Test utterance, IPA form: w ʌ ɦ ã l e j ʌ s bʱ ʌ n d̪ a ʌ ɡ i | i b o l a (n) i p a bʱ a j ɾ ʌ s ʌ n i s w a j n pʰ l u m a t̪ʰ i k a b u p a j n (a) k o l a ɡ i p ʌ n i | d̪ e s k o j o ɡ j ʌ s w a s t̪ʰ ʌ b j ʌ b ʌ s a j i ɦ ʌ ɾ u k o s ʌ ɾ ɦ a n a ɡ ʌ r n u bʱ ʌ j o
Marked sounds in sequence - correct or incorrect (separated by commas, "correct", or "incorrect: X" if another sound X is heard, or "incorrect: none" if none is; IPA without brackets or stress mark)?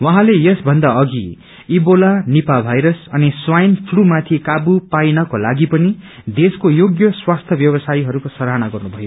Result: correct, incorrect: ʌ